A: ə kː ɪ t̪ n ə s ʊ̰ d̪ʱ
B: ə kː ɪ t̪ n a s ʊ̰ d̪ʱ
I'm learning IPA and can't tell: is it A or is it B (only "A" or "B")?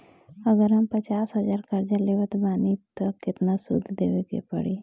B